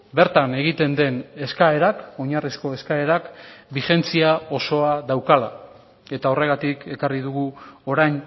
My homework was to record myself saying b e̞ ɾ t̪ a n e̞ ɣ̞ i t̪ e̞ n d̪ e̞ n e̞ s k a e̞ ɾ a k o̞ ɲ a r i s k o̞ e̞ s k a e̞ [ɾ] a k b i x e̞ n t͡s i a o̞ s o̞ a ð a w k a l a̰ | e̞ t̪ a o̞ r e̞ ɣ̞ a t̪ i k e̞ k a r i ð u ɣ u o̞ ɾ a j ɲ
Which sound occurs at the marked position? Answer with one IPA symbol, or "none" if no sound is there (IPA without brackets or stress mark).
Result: ɾ